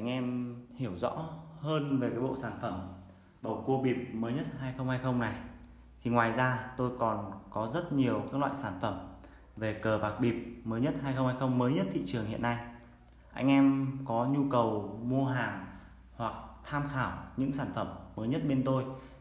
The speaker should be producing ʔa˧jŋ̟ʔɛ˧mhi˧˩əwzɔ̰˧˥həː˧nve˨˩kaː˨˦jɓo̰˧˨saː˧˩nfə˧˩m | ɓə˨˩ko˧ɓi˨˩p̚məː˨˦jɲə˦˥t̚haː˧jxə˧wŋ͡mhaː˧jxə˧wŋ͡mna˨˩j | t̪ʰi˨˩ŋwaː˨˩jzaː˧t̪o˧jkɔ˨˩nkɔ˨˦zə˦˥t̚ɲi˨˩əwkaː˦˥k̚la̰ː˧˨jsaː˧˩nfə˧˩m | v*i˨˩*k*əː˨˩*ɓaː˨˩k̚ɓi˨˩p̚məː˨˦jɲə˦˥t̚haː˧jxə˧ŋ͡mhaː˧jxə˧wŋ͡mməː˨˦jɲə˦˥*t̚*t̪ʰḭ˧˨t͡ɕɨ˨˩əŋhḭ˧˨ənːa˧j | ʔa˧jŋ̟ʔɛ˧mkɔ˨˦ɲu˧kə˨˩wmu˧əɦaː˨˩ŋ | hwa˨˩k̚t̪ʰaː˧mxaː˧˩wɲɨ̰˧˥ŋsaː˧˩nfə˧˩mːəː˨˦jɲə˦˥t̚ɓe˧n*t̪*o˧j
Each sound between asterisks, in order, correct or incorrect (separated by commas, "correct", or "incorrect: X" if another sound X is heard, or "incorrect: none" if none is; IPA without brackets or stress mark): incorrect: e˨˩, correct, correct, correct